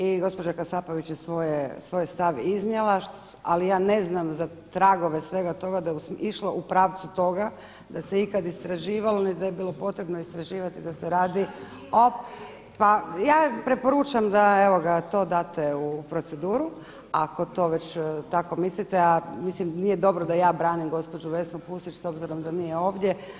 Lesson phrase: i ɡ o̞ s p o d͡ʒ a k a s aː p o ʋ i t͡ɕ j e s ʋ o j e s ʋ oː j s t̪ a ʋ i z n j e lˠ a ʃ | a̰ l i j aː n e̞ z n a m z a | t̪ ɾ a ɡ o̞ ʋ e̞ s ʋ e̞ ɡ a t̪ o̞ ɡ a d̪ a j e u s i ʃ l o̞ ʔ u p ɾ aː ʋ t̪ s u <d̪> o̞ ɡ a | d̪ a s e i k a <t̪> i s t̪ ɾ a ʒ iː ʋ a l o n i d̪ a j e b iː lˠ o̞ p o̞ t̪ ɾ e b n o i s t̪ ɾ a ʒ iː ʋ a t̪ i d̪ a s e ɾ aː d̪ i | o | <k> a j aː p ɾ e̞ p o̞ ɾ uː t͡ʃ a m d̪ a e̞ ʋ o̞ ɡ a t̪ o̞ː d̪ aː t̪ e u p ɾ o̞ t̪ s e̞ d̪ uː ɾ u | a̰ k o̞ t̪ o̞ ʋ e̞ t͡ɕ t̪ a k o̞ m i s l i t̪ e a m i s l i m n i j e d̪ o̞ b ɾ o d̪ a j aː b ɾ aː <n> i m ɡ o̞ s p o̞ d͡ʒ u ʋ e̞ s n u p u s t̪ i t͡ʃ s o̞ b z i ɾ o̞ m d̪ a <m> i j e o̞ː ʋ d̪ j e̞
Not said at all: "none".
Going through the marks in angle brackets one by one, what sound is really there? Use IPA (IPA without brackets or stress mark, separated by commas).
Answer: t̪, d̪, p, n, n